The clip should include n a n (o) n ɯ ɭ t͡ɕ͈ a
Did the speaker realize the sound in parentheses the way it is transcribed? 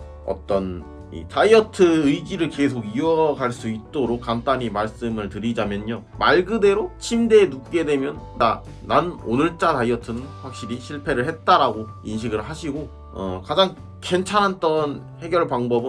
yes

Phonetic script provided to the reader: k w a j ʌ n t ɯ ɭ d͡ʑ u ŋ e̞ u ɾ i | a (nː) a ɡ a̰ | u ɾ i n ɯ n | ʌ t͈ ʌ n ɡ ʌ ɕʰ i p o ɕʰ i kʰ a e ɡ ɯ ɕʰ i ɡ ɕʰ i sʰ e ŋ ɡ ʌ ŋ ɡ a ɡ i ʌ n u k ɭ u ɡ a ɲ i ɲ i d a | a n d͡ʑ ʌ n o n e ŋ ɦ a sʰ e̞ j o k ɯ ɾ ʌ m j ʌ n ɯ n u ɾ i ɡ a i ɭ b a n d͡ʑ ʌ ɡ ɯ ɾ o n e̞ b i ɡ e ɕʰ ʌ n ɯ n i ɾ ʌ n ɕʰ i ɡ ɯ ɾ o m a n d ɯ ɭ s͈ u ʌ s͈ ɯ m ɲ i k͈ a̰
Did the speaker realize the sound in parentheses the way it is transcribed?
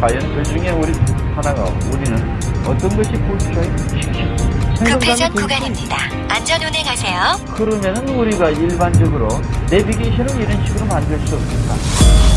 no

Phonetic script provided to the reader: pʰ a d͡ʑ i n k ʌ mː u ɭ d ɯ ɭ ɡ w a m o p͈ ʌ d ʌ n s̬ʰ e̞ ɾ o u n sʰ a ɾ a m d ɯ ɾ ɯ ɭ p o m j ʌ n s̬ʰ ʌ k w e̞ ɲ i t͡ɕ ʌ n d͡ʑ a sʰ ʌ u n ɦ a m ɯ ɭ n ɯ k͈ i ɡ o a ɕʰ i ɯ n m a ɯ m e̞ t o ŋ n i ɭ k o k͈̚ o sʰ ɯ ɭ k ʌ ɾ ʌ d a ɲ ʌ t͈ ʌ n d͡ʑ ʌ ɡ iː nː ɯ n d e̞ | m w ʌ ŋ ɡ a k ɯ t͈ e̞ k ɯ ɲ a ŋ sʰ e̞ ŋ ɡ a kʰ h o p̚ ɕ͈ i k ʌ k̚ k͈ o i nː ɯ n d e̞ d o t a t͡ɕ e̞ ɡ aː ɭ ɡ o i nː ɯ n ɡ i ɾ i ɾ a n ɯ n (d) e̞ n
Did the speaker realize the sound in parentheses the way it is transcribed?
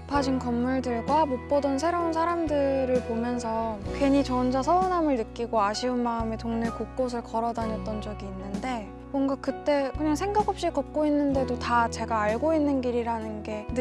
no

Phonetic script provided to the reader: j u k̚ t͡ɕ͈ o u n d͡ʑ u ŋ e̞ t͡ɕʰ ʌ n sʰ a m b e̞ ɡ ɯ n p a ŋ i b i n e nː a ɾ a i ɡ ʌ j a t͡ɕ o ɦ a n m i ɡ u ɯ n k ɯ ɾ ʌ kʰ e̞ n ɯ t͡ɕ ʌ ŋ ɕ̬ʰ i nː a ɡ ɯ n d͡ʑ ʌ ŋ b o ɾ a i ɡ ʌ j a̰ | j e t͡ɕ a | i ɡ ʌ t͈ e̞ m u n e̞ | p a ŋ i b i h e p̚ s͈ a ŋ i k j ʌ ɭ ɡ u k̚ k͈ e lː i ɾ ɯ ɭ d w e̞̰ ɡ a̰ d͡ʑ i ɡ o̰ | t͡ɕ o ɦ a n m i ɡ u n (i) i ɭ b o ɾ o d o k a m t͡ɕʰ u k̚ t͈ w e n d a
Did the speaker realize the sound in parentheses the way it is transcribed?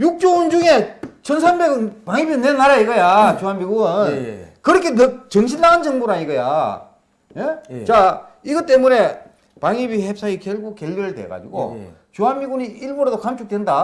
yes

